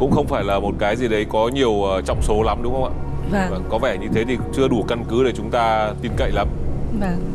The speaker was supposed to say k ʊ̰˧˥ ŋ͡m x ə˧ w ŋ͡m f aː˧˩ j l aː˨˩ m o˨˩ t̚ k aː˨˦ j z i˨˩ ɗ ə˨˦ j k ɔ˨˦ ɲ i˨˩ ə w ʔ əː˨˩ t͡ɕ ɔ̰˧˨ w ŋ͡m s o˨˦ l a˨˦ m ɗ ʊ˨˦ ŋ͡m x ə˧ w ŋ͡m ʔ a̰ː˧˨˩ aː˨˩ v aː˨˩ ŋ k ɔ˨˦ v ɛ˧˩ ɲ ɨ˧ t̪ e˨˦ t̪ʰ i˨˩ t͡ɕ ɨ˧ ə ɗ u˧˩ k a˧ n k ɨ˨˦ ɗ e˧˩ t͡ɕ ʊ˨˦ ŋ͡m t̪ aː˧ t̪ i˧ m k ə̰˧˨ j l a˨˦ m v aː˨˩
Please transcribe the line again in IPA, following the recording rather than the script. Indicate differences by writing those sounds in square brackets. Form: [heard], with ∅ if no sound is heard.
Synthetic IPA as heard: k ʊ̰˧˥ ŋ͡m x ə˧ w ŋ͡m f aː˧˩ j l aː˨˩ m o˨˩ t̚ k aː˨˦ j z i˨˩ ɗ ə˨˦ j k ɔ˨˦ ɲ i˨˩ ə w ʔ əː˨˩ t͡ɕ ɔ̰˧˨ w ŋ͡m s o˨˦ l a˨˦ m ɗ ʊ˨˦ ŋ͡m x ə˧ w ŋ͡m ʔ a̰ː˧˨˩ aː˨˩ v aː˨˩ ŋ k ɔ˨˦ v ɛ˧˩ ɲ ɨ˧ [t̪ʰ] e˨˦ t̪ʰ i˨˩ t͡ɕ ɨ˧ ə ɗ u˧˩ k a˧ n k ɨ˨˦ ɗ e˧˩ t͡ɕ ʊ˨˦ ŋ͡m t̪ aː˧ t̪ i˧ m k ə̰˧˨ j l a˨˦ m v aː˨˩

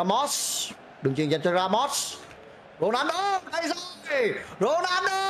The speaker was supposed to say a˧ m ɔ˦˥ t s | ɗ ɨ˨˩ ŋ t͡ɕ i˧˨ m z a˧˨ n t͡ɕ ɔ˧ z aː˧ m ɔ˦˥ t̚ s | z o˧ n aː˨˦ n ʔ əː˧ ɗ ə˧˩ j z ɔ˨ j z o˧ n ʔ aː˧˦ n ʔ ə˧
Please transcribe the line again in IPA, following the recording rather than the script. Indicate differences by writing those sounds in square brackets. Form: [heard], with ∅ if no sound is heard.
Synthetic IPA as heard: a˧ m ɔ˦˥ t s | ɗ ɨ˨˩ ŋ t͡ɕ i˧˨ [ŋ] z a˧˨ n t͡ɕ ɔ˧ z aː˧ m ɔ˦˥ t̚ s | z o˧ n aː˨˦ n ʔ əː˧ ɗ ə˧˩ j z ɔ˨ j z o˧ n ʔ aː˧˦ n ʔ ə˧

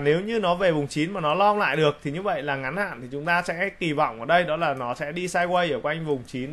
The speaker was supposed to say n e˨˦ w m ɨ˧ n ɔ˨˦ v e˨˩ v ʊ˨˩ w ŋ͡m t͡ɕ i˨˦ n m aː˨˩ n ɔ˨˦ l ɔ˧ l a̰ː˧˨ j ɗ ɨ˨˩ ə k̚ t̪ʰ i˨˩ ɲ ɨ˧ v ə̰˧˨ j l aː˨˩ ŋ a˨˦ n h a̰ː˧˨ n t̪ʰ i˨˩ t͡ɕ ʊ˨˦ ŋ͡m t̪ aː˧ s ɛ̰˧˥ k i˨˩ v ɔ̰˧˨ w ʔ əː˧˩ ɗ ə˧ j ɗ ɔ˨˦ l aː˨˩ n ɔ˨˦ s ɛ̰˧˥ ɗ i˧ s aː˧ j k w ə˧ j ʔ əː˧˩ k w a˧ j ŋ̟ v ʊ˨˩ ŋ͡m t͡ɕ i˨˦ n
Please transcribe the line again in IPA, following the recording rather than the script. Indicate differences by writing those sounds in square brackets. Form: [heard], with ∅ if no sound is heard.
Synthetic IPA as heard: n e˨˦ w [ɲ] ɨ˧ n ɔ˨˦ v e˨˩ v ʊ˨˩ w ŋ͡m t͡ɕ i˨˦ n m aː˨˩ n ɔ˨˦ l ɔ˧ l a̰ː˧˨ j ɗ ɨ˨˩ ə k̚ t̪ʰ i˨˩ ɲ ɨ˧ v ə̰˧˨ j l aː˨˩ ŋ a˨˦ n h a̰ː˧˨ n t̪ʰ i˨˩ t͡ɕ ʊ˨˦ ŋ͡m t̪ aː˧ s ɛ̰˧˥ k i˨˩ v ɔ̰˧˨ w ʔ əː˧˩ ɗ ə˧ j ɗ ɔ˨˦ l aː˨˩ n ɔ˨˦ s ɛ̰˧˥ ɗ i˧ s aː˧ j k w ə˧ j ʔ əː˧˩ k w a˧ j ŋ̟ v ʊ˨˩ ŋ͡m t͡ɕ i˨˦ n

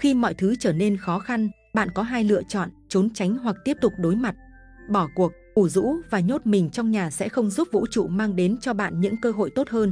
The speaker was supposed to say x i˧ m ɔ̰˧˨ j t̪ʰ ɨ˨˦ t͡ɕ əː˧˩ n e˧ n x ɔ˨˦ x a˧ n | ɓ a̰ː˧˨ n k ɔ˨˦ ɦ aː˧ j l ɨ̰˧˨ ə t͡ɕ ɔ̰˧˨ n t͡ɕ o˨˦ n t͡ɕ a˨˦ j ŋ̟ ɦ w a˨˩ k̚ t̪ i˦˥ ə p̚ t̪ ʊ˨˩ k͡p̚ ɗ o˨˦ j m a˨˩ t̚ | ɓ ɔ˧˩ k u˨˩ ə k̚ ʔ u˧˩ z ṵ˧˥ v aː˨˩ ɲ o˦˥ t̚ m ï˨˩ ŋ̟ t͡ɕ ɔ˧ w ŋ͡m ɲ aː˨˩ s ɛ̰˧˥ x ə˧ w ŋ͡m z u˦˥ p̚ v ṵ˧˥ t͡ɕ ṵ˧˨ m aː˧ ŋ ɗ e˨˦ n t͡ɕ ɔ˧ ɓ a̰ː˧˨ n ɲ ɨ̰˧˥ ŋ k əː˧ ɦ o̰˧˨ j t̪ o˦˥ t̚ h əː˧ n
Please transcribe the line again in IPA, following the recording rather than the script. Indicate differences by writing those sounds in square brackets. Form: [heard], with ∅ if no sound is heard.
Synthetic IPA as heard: x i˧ m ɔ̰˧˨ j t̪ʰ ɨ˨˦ t͡ɕ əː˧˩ n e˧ n x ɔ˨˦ x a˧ n | ɓ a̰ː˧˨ n k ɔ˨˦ ɦ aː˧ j l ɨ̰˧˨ ə t͡ɕ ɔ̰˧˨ n t͡ɕ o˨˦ n t͡ɕ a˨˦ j ŋ̟ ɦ w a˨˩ k̚ t̪ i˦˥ ə p̚ t̪ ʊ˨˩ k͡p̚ ɗ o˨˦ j m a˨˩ t̚ | ɓ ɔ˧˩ k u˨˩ ə k̚ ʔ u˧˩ z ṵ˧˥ v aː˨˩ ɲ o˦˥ t̚ m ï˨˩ ŋ̟ t͡ɕ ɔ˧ w ŋ͡m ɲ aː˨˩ s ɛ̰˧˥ x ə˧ w ŋ͡m z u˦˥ p̚ v ṵ˧˥ t͡ɕ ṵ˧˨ m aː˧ ŋ ɗ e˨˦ n t͡ɕ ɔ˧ ɓ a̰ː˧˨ n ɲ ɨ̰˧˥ ŋ k əː˧ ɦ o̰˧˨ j t̪ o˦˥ t̚ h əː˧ n

